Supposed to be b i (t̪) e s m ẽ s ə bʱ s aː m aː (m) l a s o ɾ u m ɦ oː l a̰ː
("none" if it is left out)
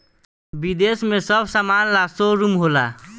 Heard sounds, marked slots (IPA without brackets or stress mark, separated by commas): d̪, n